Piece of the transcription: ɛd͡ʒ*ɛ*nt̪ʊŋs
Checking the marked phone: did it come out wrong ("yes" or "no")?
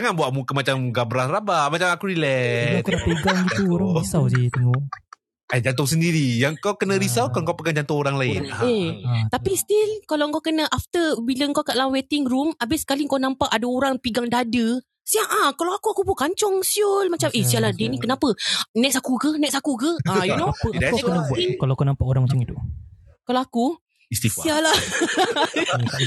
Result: yes